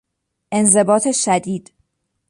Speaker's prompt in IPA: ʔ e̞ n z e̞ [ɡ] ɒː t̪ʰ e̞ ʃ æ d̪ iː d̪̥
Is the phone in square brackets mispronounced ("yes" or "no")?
yes